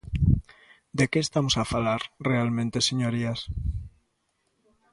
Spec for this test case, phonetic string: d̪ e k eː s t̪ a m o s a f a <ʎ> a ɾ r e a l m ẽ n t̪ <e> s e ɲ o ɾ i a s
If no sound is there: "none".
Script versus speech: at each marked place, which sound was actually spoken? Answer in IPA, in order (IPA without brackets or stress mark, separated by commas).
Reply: l, e